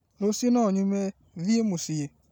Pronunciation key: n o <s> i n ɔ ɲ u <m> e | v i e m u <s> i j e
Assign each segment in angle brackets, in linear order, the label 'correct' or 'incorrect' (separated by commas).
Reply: correct, correct, correct